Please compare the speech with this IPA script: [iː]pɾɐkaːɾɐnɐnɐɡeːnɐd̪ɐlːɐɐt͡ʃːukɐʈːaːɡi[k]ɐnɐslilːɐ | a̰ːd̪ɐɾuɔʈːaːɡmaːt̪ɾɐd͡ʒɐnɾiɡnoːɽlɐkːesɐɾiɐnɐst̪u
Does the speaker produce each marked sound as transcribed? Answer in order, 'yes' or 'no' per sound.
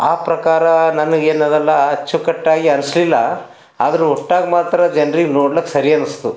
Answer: no, no

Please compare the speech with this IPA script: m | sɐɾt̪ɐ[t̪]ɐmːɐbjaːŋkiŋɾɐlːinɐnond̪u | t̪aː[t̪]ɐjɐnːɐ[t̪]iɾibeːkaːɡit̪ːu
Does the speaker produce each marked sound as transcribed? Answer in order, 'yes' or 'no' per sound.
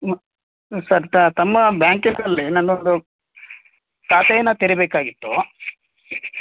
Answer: yes, yes, yes

